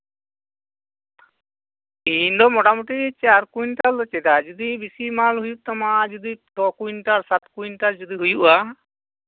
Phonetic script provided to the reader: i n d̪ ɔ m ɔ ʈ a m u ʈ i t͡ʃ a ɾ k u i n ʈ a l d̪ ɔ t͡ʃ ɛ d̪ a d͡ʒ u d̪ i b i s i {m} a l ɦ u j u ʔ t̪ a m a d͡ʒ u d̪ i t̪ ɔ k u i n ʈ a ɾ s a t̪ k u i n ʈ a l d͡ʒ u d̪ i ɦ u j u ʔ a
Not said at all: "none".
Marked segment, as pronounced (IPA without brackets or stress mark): m